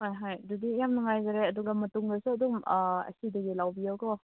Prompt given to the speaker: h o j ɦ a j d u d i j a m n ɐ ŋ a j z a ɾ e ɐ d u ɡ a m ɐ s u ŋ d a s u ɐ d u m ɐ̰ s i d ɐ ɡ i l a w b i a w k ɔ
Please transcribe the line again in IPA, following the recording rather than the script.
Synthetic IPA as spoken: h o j ɦ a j d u d i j a m n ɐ ŋ a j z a ɾ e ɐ d u ɡ a m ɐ t u ŋ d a s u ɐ d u m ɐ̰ s i d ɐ ɡ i l a w b i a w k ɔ